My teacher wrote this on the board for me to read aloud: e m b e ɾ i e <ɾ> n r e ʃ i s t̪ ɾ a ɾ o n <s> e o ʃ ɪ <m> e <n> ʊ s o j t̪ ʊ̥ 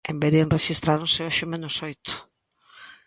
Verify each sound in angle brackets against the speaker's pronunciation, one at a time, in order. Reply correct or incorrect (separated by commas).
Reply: incorrect, correct, correct, correct